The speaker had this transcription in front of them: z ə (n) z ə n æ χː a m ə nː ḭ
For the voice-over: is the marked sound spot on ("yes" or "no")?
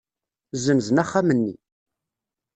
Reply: no